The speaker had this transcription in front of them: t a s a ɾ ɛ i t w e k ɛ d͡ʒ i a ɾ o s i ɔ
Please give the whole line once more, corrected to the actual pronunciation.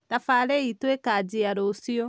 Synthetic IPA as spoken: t a f a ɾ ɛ i t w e k a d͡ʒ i a ɾ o s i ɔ